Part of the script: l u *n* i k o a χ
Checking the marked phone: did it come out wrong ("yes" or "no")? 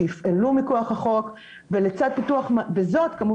yes